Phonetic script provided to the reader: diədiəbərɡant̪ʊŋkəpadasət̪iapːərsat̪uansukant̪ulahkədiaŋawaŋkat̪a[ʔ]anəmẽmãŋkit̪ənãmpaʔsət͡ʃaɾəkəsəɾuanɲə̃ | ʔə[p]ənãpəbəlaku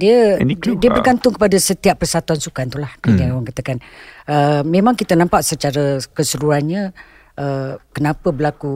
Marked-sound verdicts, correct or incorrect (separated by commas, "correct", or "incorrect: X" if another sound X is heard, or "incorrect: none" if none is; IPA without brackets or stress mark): incorrect: k, incorrect: k